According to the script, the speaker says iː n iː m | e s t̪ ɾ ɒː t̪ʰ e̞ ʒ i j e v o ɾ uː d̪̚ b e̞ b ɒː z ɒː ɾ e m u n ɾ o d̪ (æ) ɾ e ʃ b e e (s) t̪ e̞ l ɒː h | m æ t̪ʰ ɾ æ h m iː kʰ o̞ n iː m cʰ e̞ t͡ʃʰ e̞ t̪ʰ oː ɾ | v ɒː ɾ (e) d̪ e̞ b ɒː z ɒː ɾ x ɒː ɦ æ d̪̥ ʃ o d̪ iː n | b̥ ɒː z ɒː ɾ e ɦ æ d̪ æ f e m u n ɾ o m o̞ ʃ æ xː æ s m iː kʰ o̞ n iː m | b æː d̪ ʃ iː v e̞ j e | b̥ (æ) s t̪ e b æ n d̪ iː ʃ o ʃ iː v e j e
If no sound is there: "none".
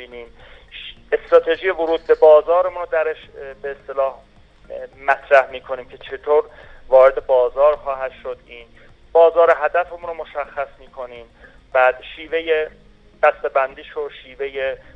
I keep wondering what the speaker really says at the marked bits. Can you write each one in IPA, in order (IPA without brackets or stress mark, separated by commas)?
æ, s, e, æ